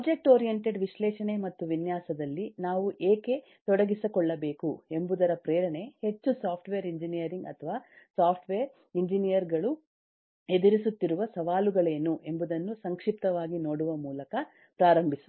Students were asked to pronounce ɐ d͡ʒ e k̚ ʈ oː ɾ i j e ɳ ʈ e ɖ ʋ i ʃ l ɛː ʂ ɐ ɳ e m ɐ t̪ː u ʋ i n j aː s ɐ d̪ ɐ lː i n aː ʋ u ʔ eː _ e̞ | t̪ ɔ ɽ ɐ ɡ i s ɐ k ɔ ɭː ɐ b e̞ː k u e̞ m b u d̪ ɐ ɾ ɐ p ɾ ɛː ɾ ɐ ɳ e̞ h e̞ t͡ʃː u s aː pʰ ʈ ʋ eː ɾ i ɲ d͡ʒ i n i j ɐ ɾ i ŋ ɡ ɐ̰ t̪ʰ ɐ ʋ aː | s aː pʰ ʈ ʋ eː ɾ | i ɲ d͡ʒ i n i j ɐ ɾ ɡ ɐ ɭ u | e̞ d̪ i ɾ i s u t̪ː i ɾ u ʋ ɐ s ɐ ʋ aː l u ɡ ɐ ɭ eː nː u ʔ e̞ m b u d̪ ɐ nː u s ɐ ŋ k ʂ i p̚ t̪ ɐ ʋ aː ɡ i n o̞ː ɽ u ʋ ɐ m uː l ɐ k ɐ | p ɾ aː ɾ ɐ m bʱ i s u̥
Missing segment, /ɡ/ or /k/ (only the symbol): k